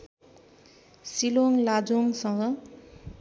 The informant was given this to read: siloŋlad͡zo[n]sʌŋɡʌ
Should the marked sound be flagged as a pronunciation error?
yes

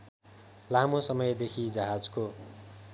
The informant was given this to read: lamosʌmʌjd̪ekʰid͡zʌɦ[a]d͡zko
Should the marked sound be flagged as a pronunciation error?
no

